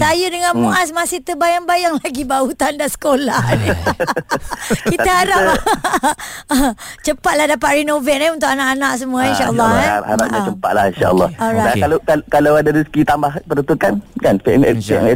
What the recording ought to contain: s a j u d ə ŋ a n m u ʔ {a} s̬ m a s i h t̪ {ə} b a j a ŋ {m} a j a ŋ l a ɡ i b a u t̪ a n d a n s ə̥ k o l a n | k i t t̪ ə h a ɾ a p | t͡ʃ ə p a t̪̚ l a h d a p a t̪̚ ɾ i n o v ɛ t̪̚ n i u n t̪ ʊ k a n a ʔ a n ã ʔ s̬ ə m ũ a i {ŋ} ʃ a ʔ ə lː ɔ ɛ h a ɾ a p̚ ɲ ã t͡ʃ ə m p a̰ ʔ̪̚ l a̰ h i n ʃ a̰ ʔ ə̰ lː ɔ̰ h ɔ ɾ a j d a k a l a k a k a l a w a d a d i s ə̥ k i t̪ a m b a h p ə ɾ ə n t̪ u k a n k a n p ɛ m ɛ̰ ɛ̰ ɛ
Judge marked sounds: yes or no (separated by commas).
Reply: yes, yes, no, no